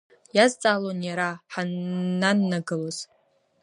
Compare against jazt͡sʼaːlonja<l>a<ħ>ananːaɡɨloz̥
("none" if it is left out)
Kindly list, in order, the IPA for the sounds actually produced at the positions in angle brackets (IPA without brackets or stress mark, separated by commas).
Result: ɾ, ħ